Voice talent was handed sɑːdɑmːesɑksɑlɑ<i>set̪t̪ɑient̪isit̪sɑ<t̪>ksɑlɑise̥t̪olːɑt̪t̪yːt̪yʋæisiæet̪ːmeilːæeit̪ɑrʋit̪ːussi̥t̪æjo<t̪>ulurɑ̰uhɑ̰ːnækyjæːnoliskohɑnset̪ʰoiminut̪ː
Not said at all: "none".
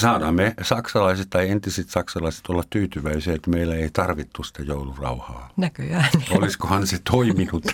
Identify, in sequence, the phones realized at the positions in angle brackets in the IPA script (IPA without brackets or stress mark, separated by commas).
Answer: i, none, none